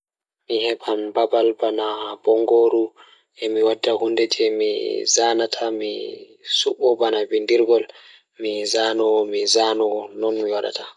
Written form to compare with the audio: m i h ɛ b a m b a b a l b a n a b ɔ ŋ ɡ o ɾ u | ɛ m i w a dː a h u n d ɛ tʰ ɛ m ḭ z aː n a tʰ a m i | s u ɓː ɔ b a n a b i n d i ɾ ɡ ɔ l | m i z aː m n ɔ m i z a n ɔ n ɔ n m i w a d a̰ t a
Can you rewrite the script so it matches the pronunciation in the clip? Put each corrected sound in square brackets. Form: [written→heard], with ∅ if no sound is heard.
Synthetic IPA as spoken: m i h ɛ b a m b a b a l b a n a b ɔ ŋ ɡ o ɾ u | ɛ m i w a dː a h u n d ɛ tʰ ɛ m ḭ z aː n a tʰ a m i | s u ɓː ɔ b a n a b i n d i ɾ ɡ ɔ l | m i z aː [m→∅] n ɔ m i z a n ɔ n ɔ n m i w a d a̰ t a